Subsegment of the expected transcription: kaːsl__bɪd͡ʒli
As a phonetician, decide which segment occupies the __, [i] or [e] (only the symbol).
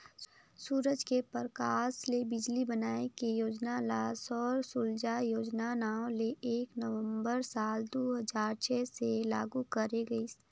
e